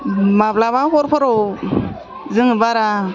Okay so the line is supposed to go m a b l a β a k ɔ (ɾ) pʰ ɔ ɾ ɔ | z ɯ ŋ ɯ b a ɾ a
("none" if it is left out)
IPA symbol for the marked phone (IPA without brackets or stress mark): ɾ